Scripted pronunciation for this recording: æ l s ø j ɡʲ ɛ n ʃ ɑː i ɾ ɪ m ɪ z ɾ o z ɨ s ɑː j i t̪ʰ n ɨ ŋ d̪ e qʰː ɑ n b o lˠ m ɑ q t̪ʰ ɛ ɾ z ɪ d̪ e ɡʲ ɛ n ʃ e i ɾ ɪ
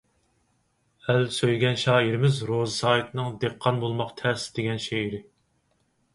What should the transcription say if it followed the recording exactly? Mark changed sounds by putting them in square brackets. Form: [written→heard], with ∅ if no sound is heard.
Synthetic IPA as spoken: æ l s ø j ɡʲ ɛ n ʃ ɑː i ɾ ɪ m ɪ z ɾ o z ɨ s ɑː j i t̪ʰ n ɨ ŋ d̪ e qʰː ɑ n b o lˠ m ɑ q t̪ʰ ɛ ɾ [z→s] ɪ d̪ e ɡʲ ɛ n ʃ e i ɾ ɪ